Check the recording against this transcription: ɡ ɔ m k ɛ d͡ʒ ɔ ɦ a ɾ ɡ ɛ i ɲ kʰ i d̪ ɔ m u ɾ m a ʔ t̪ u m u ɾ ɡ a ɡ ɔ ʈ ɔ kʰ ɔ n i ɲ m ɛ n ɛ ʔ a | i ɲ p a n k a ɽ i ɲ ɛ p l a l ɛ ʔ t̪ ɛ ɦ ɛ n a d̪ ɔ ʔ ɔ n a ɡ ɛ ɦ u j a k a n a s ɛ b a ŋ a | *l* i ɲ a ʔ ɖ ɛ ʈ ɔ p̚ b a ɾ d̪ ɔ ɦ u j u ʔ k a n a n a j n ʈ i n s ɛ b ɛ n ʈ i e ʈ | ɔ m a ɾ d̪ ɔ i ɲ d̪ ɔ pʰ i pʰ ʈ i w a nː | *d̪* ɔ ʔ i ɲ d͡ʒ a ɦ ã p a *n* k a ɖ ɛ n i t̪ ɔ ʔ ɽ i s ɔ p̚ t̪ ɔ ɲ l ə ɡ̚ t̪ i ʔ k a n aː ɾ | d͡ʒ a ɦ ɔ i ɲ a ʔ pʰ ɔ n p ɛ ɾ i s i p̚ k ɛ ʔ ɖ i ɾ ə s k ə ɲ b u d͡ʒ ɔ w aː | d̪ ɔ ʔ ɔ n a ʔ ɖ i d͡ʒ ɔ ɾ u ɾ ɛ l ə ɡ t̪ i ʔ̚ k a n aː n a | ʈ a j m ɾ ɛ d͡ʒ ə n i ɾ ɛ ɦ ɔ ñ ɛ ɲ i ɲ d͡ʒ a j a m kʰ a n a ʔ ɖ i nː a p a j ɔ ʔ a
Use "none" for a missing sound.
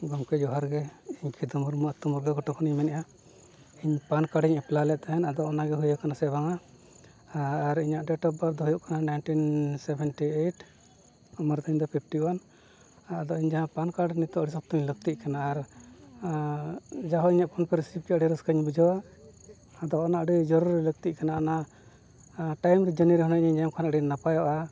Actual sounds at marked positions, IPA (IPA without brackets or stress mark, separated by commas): ɾ, d̪, n